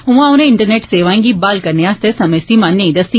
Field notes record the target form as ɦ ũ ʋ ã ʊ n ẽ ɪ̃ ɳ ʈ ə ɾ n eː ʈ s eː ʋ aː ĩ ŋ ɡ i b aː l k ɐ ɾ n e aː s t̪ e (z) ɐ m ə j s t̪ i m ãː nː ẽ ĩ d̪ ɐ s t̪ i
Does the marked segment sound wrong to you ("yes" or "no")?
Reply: yes